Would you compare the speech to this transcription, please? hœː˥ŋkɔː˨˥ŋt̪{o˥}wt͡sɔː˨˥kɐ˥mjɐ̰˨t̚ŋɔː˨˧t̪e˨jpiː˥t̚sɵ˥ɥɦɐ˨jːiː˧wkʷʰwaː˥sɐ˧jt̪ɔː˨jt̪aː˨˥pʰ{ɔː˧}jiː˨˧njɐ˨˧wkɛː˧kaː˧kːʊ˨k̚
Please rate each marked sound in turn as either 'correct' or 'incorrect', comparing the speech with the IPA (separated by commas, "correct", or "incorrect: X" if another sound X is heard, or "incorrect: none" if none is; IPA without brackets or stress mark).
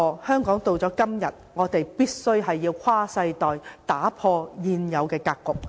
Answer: incorrect: o˨˧, correct